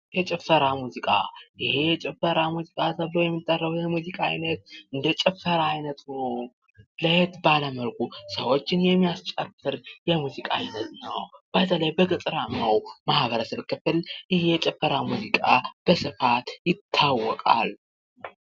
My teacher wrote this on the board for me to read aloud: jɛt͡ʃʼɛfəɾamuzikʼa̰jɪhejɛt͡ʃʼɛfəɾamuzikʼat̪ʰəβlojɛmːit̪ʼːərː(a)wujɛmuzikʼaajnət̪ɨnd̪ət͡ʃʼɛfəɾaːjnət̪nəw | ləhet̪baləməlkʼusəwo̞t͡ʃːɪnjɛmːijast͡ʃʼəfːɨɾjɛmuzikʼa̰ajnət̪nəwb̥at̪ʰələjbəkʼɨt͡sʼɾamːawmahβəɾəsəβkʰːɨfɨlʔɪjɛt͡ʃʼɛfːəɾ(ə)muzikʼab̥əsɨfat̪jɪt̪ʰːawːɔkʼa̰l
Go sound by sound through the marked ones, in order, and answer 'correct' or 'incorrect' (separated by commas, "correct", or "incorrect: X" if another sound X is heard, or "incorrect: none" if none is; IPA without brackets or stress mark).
incorrect: ə, incorrect: a